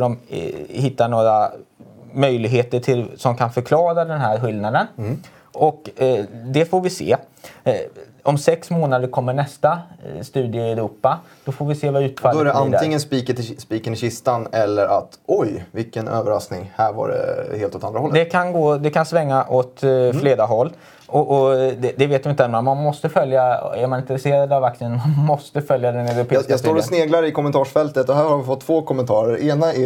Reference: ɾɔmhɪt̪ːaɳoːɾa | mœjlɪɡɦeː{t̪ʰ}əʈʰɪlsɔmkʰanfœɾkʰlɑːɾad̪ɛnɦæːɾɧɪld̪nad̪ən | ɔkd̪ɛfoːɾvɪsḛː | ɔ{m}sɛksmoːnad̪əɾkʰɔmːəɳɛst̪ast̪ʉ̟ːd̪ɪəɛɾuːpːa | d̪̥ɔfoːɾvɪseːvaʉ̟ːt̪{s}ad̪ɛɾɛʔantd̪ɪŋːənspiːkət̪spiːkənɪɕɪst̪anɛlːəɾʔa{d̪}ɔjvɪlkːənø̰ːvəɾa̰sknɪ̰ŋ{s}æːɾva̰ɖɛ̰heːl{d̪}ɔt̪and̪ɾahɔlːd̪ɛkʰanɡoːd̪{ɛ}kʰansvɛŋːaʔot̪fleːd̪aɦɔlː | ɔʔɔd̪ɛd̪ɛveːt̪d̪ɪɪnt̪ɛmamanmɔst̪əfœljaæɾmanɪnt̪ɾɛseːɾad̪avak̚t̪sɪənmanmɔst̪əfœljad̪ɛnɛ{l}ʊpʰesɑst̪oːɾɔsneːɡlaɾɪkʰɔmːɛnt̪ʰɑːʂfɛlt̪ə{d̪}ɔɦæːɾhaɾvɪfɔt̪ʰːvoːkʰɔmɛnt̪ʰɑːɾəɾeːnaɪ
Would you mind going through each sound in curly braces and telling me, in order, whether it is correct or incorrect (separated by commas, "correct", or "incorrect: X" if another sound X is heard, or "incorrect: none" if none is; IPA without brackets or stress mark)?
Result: incorrect: t̪, correct, incorrect: f, incorrect: t̪, incorrect: h, incorrect: t̪, correct, incorrect: ɾ, incorrect: t̪